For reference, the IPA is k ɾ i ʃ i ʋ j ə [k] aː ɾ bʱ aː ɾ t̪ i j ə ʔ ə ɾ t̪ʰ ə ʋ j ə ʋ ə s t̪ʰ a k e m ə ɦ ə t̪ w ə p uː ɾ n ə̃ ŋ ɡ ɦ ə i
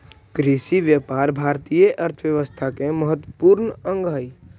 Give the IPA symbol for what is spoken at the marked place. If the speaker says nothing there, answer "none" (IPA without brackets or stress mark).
p